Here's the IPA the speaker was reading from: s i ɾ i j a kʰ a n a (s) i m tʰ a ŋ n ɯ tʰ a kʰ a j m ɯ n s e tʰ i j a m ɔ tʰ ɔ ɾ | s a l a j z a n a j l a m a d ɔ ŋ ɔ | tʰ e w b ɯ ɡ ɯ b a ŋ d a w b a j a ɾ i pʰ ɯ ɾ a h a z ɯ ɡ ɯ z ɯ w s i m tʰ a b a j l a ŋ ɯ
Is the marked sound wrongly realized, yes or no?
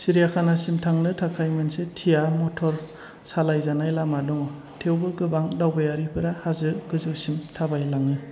no